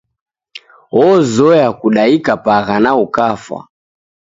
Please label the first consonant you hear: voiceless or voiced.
voiced